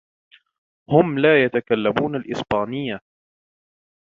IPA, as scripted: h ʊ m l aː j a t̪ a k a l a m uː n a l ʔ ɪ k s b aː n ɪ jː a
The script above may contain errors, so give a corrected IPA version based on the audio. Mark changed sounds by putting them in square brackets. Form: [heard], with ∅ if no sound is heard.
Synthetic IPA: h ʊ m l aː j a t̪ a k a [lː] a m uː n a l ʔ ɪ [∅] s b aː n ɪ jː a